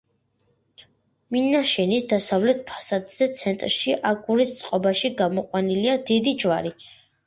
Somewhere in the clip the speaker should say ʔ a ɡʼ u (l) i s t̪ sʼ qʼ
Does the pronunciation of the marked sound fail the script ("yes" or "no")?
yes